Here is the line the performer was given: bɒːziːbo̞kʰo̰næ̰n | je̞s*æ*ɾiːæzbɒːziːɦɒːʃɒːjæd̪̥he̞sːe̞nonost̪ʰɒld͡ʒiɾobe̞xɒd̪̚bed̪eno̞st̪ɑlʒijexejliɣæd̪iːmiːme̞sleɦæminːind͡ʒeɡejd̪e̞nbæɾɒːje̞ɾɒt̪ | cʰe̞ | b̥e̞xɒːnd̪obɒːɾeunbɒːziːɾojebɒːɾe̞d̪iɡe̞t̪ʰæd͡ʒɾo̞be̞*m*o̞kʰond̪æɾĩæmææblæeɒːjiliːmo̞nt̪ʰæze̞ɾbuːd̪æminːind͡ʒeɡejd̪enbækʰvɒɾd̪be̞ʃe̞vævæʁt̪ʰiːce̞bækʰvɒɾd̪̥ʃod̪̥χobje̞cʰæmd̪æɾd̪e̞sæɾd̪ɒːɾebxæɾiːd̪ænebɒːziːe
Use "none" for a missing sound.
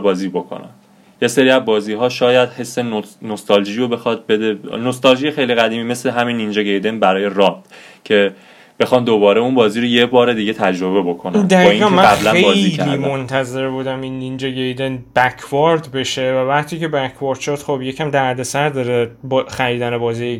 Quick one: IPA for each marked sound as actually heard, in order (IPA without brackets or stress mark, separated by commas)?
e, b